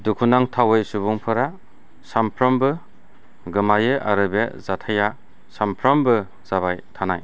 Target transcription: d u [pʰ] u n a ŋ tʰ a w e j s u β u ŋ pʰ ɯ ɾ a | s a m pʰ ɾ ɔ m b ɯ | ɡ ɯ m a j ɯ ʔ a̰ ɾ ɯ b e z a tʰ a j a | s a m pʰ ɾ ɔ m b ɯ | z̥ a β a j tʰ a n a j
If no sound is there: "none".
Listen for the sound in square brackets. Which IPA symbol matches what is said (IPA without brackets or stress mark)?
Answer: kʰ